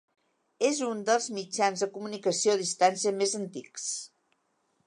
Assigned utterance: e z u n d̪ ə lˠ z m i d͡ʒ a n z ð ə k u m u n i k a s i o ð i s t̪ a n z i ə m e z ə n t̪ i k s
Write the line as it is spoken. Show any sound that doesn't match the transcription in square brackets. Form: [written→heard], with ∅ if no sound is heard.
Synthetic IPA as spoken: e z u n d̪ ə lˠ z m i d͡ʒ a n z ð ə k u m u n i k [a→ə] s i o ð i s t̪ a n [z→s] i ə m e z ə n t̪ i k s